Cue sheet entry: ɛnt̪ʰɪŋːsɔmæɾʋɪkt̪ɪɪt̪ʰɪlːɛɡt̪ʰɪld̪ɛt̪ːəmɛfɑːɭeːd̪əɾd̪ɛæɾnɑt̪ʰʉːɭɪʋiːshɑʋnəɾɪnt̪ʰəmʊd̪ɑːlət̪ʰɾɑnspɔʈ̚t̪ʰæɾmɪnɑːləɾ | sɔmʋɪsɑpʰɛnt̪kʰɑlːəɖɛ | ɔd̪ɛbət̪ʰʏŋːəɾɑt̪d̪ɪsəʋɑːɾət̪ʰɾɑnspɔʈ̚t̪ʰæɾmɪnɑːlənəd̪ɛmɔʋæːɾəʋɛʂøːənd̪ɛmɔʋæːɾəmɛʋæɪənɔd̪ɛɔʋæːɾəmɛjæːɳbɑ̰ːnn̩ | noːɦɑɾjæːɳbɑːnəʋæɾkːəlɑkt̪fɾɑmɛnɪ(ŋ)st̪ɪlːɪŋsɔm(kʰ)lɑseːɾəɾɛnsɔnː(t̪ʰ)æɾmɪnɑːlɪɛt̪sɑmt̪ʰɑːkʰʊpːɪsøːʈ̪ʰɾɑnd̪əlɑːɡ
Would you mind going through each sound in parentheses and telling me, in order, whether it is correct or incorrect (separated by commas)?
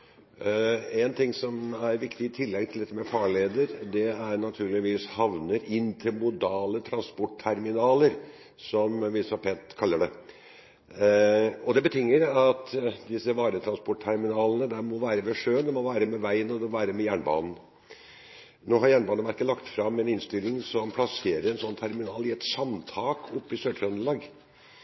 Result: incorrect, incorrect, correct